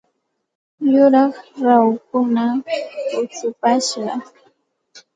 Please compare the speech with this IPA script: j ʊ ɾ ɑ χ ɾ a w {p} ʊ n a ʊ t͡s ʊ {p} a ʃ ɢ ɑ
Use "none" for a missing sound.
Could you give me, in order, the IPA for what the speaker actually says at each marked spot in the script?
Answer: k, p

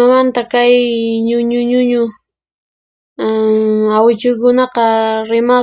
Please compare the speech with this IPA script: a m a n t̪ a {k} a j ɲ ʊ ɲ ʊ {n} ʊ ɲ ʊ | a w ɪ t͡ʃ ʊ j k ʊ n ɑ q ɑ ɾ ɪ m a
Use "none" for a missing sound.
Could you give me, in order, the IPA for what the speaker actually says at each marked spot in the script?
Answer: k, ɲ

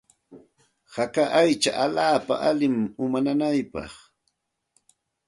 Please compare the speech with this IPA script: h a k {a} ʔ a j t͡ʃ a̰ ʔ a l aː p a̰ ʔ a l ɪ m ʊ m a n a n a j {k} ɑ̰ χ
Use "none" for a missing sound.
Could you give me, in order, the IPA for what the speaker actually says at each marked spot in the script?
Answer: a, p

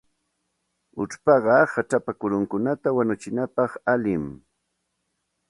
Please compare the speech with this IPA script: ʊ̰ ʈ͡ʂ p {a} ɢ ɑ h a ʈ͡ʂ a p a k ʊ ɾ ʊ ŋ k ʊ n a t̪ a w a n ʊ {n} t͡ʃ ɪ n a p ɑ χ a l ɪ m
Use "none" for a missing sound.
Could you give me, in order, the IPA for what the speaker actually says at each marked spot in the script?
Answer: ɑ, none

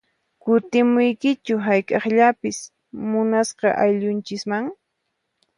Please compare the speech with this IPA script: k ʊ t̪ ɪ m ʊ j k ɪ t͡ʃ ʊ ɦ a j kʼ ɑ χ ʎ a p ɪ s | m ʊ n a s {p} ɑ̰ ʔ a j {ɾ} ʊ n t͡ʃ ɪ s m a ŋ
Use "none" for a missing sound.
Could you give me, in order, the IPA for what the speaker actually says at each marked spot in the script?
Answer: q, ʎ

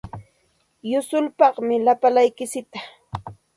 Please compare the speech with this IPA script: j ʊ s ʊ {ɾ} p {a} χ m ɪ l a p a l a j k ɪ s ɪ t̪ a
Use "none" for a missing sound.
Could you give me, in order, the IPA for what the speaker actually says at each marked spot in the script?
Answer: l, ɑ

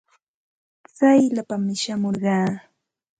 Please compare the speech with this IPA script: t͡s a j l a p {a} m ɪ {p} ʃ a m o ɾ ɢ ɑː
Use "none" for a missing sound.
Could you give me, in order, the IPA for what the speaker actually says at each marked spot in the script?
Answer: a, none

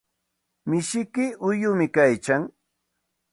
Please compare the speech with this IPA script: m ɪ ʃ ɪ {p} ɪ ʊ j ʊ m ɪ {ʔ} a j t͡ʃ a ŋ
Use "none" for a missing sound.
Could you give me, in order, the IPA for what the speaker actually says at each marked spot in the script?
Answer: k, k

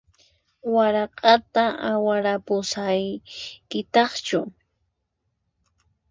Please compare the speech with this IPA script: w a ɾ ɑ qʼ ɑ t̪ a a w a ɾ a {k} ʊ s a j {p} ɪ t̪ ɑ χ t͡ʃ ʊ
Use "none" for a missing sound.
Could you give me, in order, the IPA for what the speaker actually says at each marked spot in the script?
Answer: p, k

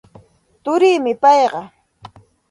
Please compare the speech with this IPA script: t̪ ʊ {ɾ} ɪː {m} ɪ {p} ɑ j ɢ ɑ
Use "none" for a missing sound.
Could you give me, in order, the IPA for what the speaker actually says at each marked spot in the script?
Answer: ɾ, m, p

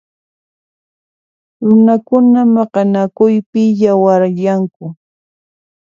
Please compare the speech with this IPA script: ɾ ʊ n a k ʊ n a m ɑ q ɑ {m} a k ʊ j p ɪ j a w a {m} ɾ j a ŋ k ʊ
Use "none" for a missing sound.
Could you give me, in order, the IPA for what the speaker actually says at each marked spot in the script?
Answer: n, none

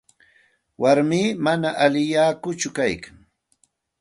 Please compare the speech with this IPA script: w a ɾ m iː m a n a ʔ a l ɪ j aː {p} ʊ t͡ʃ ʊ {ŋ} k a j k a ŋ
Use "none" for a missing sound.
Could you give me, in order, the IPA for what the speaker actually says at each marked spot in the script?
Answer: k, none

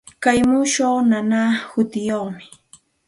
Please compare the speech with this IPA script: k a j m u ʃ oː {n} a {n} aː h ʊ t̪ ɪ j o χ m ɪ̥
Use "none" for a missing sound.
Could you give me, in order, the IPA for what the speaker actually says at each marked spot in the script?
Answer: n, n

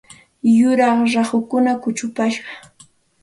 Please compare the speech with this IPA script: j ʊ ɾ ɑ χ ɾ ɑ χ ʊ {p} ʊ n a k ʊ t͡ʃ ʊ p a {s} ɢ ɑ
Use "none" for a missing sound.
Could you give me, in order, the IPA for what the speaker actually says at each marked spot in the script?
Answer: k, ʃ

